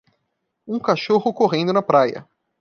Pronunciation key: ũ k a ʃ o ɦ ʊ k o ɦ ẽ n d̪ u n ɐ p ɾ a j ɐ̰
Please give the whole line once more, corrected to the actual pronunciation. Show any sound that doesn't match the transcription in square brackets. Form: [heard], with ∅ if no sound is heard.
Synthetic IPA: ũ k a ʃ o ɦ ʊ k o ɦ ẽ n d̪ [ʊ] n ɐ p ɾ a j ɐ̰